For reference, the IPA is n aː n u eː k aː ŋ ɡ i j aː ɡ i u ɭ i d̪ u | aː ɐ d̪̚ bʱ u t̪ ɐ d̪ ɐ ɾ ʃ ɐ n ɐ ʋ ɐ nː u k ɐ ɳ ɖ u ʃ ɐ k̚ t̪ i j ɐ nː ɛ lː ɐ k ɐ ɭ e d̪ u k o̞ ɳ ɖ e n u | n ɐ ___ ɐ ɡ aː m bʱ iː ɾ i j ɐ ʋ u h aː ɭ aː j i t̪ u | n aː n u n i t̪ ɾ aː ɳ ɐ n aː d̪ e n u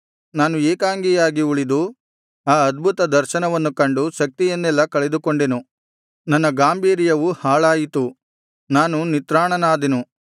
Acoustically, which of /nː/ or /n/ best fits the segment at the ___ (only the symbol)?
nː